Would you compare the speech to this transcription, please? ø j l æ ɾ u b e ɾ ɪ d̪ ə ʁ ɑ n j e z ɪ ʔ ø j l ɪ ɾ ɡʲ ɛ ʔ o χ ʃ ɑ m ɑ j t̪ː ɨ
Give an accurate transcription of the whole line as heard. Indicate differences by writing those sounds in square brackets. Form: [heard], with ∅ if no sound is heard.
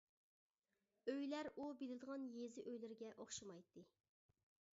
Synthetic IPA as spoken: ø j l æ ɾ u b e [l] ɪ d̪ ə ʁ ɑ n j e z ɪ ʔ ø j l ɪ ɾ ɡʲ ɛ ʔ o χ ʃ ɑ m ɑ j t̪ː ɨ